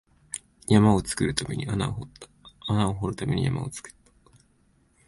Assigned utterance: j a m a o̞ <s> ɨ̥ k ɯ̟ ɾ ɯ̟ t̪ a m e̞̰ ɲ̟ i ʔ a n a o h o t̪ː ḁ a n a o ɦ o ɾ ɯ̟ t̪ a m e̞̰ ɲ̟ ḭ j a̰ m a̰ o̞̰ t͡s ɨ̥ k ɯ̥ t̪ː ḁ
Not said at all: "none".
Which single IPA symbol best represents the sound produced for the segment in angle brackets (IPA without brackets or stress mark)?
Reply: t͡s